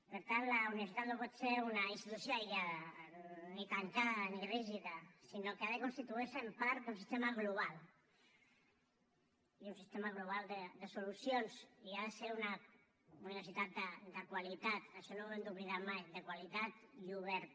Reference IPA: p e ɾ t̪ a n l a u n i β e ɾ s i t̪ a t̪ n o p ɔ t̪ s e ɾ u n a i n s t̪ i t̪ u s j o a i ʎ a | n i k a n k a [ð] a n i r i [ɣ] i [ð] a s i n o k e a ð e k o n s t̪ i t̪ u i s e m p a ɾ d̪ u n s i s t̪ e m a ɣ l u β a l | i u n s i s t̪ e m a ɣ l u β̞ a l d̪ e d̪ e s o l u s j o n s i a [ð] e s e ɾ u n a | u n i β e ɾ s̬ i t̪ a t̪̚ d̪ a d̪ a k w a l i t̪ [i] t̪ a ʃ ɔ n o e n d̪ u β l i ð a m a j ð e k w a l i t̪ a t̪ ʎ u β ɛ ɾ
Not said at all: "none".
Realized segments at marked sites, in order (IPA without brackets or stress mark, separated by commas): ð, ʒ, ð, ð, a